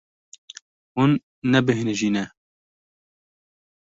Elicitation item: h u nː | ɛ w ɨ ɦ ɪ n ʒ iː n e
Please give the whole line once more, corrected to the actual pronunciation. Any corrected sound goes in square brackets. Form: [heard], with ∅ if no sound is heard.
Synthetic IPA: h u nː | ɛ [b] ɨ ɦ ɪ n ʒ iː n [ɛ]

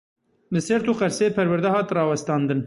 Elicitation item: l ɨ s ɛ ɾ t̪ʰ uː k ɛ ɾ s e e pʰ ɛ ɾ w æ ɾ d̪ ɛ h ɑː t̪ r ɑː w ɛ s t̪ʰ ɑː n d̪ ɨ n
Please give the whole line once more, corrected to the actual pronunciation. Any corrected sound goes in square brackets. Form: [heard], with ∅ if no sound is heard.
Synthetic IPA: l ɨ s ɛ ɾ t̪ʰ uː [q] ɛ ɾ s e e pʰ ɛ ɾ w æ ɾ d̪ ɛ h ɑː t̪ r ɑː w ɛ s [t̪] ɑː n d̪ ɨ n

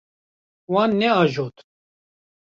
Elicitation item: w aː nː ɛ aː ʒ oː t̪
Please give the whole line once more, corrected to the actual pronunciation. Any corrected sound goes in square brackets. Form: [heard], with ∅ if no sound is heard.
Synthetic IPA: w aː nː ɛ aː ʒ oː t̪

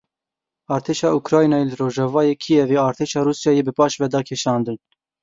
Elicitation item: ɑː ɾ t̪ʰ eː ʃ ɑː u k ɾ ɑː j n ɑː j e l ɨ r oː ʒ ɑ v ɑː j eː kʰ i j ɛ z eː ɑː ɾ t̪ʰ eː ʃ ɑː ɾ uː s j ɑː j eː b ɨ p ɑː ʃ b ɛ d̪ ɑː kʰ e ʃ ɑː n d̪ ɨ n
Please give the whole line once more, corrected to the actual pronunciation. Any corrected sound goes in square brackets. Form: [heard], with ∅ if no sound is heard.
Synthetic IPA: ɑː ɾ t̪ʰ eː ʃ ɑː u k ɾ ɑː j n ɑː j e l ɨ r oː ʒ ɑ v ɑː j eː kʰ i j ɛ [v] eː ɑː ɾ t̪ʰ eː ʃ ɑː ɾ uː s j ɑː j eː b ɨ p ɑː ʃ [v] ɛ d̪ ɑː kʰ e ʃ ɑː n d̪ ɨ n

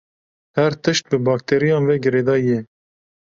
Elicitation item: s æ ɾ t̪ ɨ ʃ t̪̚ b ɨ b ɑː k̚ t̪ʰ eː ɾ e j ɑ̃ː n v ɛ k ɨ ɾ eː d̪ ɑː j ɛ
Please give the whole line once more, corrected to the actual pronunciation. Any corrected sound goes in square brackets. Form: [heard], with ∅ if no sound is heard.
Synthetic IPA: [h] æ ɾ t̪ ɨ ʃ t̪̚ b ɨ b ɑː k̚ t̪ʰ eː ɾ [i] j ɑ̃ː n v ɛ [ɡ] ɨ ɾ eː d̪ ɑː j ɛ

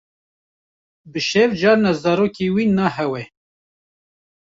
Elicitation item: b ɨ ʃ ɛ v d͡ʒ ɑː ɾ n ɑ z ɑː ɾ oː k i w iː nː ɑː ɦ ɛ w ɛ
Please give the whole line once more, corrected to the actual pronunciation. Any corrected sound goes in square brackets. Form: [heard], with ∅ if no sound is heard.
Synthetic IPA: b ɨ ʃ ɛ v d͡ʒ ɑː ɾ n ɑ z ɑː ɾ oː k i w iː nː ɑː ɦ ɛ w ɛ

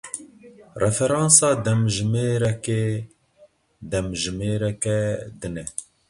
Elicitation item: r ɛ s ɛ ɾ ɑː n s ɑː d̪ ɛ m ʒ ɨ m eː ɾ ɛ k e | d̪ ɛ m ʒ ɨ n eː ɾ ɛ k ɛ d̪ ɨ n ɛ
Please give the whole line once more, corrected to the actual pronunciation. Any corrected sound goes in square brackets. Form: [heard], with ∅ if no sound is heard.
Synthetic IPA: r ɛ [f] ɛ ɾ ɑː n s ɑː d̪ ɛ m ʒ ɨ m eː ɾ ɛ k e | d̪ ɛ m ʒ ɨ [m] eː ɾ ɛ k ɛ d̪ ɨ n ɛ

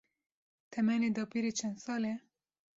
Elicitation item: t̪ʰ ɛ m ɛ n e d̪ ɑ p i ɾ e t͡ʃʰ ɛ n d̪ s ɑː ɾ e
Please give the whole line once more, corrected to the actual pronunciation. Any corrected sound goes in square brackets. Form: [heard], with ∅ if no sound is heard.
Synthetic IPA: t̪ʰ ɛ m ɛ n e d̪ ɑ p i ɾ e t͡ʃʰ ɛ n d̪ s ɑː [l] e

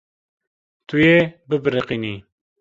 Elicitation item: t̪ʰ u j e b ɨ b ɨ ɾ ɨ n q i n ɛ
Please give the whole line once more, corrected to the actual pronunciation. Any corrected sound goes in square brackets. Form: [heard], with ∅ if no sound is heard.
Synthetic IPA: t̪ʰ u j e b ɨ b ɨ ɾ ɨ [∅] q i n [i]

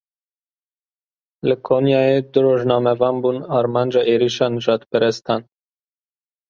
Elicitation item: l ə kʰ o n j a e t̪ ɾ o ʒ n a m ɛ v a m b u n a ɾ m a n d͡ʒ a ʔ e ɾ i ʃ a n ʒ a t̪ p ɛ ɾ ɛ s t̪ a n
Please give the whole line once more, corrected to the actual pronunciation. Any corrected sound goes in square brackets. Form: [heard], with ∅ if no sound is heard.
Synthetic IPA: l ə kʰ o n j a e [d̪] ɾ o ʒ n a m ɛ v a m b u n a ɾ m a n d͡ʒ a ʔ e ɾ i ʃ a n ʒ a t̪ p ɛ ɾ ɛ s t̪ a n

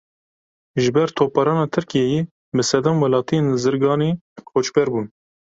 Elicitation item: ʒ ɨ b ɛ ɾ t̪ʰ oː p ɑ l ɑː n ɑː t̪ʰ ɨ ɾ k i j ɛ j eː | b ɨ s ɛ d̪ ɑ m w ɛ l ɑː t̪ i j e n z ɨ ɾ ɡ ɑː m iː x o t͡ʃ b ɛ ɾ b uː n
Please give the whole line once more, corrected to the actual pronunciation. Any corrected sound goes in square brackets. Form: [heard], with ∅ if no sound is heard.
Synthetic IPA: ʒ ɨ b ɛ ɾ t̪ʰ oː p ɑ [ɾ] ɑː n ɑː t̪ʰ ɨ ɾ k i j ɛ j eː | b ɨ s ɛ d̪ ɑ m w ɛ l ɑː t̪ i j e n z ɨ ɾ ɡ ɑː [n] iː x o t͡ʃ b ɛ ɾ b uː n

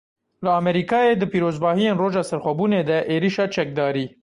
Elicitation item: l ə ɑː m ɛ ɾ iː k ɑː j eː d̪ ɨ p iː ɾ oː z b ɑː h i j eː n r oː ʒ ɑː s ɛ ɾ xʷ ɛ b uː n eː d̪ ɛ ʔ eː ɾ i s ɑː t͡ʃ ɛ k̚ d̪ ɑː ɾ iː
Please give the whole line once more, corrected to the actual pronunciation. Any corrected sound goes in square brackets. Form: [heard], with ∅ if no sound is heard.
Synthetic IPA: l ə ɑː m ɛ ɾ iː k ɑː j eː d̪ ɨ p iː ɾ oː z b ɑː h i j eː n r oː ʒ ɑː s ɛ ɾ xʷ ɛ b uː n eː d̪ ɛ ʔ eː ɾ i [ʃ] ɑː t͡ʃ ɛ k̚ d̪ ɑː ɾ iː

